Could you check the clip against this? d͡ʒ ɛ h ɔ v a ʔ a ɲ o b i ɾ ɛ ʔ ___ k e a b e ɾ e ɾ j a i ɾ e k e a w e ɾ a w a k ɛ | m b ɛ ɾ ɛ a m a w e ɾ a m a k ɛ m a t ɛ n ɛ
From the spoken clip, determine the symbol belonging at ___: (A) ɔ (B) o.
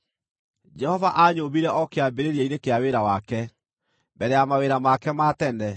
A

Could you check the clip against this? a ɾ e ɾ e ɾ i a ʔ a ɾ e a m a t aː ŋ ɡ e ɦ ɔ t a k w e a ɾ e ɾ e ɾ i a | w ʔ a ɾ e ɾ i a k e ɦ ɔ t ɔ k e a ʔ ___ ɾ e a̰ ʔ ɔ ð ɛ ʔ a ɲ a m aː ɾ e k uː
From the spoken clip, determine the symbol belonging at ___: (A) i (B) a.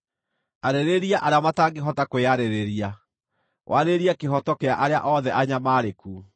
B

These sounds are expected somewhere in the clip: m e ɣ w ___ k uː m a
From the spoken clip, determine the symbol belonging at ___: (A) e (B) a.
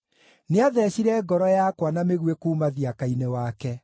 A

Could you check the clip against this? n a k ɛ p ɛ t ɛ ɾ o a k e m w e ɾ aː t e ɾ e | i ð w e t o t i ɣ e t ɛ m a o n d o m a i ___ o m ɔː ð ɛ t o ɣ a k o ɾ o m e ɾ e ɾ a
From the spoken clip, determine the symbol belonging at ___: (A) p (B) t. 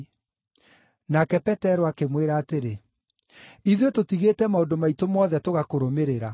B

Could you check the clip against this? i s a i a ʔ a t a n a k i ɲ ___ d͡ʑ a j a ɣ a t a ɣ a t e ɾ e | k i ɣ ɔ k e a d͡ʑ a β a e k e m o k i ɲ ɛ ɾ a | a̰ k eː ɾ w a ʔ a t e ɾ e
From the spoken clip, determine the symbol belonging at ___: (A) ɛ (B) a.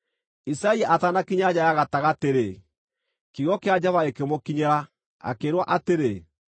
B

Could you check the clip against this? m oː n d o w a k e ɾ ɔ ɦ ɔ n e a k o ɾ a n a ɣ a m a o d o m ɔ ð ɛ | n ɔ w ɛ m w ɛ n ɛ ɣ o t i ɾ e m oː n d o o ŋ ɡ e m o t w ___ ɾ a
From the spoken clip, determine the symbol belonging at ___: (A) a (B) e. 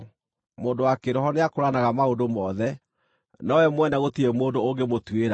B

